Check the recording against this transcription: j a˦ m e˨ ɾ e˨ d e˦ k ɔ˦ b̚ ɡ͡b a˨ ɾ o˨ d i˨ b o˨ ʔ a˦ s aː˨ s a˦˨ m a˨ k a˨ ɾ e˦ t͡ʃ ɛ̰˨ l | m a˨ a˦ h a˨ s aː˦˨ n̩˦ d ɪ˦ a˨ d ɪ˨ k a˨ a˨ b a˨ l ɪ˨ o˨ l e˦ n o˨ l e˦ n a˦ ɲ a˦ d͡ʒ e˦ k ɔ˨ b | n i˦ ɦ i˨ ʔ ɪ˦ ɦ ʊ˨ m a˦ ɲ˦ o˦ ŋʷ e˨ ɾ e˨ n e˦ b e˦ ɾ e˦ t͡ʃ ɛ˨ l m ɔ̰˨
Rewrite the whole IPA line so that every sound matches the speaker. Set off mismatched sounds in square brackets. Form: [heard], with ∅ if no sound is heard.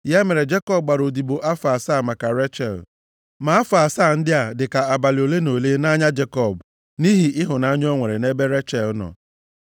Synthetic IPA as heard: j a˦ m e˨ ɾ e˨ [d͡ʒ] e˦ k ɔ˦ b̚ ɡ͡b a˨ ɾ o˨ d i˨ b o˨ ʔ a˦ [f] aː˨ s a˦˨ m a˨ k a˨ ɾ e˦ t͡ʃ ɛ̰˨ l | m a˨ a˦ [f] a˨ s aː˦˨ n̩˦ d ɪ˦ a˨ d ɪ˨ k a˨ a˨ b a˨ l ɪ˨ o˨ l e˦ n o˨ l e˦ n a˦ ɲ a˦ d͡ʒ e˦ k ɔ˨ b | n i˦ ɦ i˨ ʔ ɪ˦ ɦ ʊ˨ [n] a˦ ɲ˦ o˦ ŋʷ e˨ ɾ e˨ n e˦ b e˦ ɾ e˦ t͡ʃ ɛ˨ l [n] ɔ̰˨